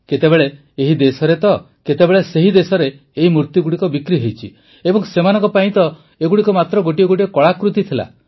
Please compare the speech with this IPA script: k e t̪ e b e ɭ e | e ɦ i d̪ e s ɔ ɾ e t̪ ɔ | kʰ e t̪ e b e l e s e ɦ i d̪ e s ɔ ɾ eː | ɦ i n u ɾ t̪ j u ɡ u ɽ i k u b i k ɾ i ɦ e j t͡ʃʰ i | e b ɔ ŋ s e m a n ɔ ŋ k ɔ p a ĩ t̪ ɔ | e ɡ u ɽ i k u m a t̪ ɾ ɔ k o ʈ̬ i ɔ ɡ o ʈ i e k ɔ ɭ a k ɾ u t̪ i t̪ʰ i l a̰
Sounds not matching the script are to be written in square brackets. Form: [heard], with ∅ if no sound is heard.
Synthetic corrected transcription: k e t̪ e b e ɭ e | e ɦ i d̪ e s ɔ ɾ e t̪ ɔ | [k] e t̪ e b e [ɭ] e s e ɦ i d̪ e s ɔ ɾ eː | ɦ i [m] u ɾ t̪ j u ɡ u ɽ i k [ɔ] b i k ɾ i ɦ e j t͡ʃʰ i | e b ɔ ŋ s e m a n ɔ ŋ k ɔ p a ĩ t̪ ɔ | e ɡ u ɽ i k [ɔ] m a t̪ ɾ ɔ [ɡ] o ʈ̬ i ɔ ɡ o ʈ i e k ɔ ɭ a k ɾ u t̪ i t̪ʰ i l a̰